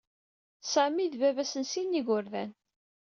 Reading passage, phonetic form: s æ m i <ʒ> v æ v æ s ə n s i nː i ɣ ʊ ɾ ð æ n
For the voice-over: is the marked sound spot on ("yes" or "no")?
no